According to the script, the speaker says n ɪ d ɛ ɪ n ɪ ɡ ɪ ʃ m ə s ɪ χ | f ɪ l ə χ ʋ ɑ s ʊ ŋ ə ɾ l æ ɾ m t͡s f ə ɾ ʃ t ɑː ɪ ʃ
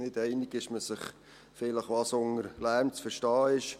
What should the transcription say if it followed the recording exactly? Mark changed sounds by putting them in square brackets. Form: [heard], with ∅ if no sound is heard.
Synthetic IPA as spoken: n ɪ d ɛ ɪ n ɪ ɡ ɪ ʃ m ə s ɪ χ | f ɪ l ə χ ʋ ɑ s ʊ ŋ ə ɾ l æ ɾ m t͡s f ə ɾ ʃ t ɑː ɪ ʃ